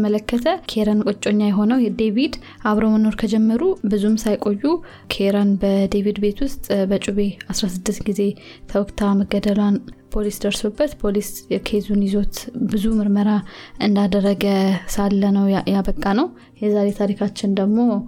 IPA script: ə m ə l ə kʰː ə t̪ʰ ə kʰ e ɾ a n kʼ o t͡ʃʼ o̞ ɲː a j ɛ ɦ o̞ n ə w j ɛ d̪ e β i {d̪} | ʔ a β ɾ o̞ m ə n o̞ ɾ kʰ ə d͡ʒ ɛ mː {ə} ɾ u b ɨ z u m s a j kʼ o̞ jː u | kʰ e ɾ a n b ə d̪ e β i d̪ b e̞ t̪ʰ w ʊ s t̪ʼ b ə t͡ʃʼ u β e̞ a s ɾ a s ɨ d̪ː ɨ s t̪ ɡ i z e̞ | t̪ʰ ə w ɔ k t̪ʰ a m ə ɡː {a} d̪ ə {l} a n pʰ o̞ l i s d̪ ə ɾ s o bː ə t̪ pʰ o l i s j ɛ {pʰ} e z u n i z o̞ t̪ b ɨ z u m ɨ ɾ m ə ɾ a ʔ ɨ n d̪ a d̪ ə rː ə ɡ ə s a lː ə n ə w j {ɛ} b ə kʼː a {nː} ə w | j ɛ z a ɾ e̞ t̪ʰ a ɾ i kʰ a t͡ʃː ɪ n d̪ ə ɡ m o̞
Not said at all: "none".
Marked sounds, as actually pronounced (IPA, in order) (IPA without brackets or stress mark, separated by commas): d̪, ə, ə, l, kʰ, a, n